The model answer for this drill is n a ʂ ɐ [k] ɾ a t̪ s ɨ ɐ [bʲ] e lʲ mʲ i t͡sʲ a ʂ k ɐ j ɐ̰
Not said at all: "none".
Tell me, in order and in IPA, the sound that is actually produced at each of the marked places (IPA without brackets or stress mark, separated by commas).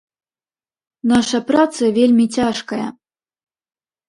p, vʲ